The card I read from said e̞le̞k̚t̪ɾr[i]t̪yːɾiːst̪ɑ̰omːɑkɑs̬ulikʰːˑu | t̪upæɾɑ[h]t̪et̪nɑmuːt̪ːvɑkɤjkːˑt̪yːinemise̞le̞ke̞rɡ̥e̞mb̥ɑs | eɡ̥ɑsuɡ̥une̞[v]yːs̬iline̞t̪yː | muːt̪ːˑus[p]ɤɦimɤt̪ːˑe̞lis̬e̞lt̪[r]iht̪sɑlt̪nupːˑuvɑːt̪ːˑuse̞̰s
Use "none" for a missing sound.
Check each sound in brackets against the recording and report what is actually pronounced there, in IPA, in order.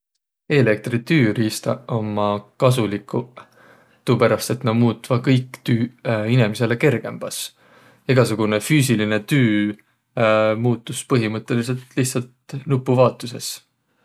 i, s, f, p, l

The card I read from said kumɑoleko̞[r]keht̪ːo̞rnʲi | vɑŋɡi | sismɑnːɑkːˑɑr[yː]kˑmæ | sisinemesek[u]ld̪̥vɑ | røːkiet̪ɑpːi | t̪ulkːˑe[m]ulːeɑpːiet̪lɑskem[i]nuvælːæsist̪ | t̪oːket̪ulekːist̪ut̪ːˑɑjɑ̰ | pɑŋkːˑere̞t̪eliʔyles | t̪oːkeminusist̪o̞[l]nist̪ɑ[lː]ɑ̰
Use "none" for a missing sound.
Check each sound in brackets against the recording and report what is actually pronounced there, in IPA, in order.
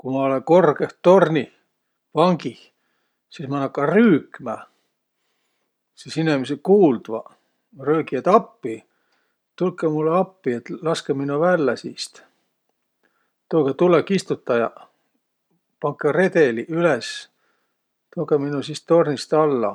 r, yː, uː, m, i, r, lː

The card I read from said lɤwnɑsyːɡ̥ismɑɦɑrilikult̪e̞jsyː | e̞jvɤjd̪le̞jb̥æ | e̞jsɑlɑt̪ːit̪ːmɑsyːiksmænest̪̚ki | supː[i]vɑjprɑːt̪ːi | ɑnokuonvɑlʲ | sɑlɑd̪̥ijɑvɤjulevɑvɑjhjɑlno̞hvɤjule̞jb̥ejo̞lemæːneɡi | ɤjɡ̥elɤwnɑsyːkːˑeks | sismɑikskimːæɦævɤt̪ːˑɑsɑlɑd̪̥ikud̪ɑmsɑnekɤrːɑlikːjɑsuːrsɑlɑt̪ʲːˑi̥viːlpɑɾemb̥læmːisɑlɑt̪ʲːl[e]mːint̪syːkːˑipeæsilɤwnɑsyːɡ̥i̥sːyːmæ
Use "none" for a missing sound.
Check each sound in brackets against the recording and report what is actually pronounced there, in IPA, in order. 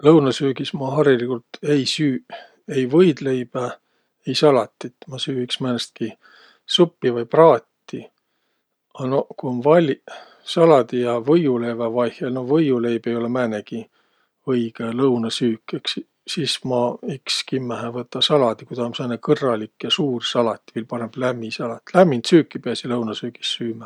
i, æ

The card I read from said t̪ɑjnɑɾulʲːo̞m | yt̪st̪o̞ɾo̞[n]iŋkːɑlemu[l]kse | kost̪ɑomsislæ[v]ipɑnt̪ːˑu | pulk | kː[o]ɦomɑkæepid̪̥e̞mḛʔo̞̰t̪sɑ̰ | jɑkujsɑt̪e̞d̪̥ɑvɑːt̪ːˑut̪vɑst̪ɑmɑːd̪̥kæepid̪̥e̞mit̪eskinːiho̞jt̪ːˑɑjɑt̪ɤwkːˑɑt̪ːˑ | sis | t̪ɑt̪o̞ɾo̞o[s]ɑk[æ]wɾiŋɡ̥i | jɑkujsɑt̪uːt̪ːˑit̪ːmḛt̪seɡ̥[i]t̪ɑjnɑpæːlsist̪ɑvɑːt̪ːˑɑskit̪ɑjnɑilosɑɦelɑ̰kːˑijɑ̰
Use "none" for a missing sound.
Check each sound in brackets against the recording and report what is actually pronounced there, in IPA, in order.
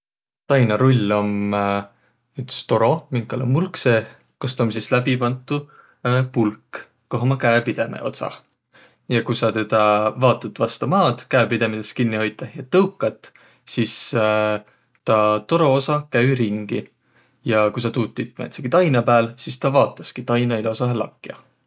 m, l, b, o, s, æ, i

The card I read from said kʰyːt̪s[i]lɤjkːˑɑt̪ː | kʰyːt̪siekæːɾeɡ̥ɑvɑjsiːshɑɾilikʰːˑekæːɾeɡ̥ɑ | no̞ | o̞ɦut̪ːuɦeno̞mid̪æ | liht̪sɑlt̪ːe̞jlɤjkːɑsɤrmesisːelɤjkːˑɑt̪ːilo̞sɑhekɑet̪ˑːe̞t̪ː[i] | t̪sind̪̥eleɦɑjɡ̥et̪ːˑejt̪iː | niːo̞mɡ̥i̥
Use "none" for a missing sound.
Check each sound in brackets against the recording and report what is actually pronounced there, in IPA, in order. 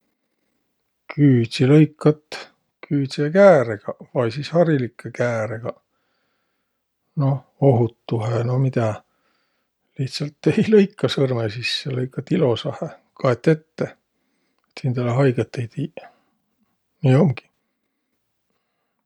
i, e

